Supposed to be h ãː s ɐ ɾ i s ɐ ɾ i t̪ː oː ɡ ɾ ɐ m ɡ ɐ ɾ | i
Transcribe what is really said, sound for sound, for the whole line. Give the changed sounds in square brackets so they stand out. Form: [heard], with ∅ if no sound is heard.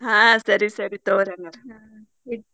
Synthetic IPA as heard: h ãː s ɐ ɾ i s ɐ ɾ i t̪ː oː [∅] ɾ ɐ [ŋ] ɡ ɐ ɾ | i